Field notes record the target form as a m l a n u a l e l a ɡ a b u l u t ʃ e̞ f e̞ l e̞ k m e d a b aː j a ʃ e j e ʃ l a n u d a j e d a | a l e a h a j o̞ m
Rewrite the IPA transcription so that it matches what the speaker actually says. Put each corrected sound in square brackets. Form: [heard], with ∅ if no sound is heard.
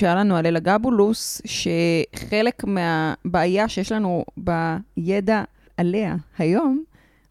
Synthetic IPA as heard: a [∅] l a n u a l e l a ɡ a b u l u [s] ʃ e̞ [χ] e̞ l e̞ k m e [∅] a b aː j a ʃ e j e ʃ l a n u [b] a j e d a | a l e a h a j o̞ m